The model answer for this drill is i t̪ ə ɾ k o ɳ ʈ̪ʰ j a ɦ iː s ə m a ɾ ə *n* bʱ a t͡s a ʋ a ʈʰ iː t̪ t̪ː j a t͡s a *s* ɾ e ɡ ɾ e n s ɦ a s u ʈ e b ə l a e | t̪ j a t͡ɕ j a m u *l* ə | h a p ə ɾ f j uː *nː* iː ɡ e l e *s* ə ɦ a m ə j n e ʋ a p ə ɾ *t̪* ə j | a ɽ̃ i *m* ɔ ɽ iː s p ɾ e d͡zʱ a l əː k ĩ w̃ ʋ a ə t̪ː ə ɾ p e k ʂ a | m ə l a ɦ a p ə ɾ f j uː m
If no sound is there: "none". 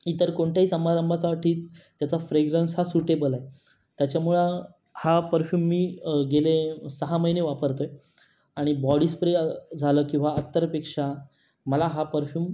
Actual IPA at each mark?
m, f, ɭ, mː, s, t̪, b

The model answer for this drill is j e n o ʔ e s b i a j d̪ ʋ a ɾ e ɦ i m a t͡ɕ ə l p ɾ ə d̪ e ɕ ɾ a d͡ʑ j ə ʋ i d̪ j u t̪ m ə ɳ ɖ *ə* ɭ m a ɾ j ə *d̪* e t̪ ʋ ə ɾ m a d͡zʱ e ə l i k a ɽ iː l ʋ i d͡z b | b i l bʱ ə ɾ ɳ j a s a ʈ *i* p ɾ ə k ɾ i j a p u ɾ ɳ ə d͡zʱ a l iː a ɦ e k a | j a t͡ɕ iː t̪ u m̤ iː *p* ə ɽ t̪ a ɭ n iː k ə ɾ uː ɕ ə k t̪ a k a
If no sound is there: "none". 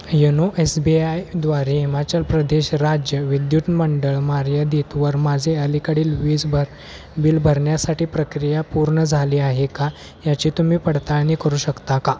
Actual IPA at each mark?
ə, d̪, iː, p

